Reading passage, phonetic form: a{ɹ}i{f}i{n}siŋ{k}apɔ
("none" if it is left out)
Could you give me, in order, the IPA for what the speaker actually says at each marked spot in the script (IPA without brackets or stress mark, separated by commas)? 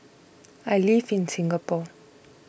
l, f, n, ɡ